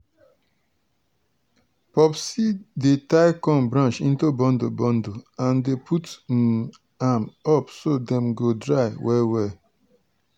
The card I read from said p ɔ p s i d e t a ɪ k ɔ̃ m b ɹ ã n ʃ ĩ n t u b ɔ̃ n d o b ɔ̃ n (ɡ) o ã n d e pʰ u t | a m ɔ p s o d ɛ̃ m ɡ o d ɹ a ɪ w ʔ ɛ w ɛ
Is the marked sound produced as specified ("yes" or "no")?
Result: no